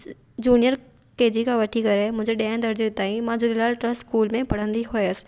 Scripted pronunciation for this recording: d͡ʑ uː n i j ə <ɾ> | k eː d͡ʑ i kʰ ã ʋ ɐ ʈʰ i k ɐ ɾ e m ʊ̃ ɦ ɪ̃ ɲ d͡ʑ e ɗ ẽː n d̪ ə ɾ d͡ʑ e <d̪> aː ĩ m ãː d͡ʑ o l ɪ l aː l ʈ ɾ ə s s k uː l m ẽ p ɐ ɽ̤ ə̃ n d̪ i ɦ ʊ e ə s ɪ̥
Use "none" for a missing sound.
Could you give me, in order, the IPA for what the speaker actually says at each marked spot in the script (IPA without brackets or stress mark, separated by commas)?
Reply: ɾ, t̪